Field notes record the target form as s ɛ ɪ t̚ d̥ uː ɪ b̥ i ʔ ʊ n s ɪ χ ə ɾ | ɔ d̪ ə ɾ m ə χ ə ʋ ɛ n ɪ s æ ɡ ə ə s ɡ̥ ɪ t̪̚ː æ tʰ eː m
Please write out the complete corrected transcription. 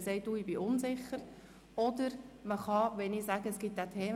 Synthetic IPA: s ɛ ɪ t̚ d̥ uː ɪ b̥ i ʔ ʊ n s ɪ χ ə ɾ | ɔ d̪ ə ɾ m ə χ ɑ ʋ ɛ n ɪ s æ ɡ ə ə s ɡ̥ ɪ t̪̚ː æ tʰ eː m